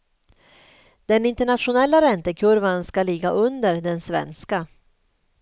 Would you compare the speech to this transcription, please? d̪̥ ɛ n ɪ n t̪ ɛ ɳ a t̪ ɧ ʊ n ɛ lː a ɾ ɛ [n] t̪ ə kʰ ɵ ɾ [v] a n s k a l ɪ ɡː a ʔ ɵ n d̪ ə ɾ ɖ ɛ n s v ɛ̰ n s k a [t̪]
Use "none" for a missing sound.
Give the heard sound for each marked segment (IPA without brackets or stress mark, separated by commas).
n, v, none